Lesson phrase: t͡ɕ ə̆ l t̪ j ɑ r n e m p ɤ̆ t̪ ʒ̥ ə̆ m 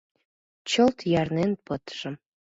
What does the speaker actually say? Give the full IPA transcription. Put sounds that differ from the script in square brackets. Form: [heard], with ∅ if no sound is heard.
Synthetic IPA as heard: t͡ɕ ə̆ l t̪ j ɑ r n e [n] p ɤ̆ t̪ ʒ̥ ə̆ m

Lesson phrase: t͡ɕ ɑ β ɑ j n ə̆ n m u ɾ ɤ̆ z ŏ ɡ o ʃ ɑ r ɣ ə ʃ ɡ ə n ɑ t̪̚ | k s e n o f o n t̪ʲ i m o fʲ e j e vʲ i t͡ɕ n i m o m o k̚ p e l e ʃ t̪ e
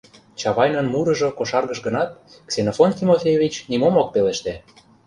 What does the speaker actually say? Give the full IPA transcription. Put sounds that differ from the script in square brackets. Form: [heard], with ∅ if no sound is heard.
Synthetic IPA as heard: t͡ɕ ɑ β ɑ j n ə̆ n m u ɾ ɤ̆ [ʒ] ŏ [k] o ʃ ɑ r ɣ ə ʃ ɡ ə n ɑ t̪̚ | k s e n o f o n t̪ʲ i m o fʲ e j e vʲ i t͡ɕ n i m o m o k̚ p e l e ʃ t̪ e

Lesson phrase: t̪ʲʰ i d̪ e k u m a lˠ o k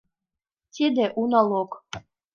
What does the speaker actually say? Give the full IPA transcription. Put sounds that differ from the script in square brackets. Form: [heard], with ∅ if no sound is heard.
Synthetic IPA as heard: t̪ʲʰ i d̪ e [ʔ] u [n] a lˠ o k

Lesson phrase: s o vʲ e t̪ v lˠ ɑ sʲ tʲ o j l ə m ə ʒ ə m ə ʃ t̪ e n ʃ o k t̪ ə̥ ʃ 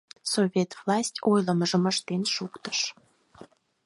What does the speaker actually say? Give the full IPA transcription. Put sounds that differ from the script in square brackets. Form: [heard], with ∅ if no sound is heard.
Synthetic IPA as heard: s o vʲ e t̪ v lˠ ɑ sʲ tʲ o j l ə m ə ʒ ə m ə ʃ t̪ e n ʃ [u] k t̪ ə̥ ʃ

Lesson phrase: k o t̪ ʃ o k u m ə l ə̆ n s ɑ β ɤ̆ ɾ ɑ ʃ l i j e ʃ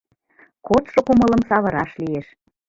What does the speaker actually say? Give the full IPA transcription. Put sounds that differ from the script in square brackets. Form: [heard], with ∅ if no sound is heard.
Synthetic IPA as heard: k o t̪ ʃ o k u m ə l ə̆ [m] s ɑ β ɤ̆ ɾ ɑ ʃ l i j e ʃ

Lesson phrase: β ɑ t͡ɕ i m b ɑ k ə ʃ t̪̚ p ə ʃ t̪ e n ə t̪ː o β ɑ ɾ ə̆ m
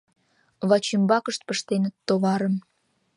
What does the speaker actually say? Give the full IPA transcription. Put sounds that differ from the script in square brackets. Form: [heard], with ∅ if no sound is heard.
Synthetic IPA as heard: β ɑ t͡ɕ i m b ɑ k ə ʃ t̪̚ p ə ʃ t̪ e n ə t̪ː o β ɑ ɾ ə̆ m

